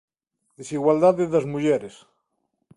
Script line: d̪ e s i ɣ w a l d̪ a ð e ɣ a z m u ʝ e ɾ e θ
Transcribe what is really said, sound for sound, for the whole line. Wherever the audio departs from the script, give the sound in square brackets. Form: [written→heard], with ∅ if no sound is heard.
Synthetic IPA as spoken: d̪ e s i ɣ w a l d̪ a ð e [ɣ→ð] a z m u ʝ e ɾ e [θ→s]